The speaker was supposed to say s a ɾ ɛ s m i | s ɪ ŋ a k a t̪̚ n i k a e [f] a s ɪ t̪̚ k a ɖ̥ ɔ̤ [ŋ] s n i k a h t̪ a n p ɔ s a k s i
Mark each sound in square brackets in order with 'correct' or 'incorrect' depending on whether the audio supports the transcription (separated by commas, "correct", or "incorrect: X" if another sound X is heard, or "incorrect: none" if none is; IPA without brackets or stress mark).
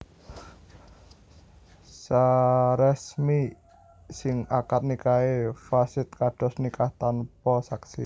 correct, incorrect: none